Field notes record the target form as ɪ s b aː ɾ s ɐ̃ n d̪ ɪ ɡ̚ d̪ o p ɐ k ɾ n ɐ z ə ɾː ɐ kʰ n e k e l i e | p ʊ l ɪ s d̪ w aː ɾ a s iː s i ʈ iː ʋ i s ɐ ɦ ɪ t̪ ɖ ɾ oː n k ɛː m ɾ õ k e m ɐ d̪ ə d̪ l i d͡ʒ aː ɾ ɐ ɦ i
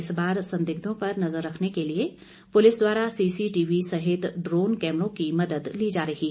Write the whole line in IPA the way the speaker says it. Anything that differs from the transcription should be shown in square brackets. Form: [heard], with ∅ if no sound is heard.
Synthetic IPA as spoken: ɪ s b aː ɾ s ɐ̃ n d̪ ɪ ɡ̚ d̪ [õ] p ɐ [∅] ɾ n ɐ z ə ɾː ɐ kʰ n e k e l i e | p ʊ l ɪ s d̪ w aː ɾ a s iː s i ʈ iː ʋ i s ɐ ɦ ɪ t̪ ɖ ɾ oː n k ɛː m ɾ õ k [i] m ɐ d̪ ə d̪ l i d͡ʒ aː ɾ ɐ ɦ i